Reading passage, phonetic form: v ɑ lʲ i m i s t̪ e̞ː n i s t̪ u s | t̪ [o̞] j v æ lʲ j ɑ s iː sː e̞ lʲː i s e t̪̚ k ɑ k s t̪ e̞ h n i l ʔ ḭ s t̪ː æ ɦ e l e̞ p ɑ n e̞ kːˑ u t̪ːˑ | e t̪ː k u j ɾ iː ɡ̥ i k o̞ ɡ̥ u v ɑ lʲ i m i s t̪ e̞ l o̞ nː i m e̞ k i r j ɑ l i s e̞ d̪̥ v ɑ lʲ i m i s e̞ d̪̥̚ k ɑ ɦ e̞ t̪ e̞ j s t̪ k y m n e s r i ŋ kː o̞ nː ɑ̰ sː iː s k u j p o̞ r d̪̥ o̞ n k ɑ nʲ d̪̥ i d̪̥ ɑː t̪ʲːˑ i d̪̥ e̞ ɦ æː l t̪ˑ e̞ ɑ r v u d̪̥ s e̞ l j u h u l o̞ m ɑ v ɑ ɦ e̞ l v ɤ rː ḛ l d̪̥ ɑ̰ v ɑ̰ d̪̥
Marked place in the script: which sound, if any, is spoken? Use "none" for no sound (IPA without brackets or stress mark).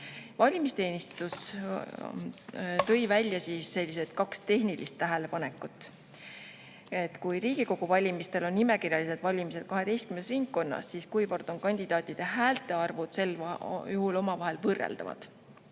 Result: ɤ̞